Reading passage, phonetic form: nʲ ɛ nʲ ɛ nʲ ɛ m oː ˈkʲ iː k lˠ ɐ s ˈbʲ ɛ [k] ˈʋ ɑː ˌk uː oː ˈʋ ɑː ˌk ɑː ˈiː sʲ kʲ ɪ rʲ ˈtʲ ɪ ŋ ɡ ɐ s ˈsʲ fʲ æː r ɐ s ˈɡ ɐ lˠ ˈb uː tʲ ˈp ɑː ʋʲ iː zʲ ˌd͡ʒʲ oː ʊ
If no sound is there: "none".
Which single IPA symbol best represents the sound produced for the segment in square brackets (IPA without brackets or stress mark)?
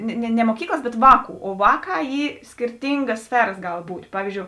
t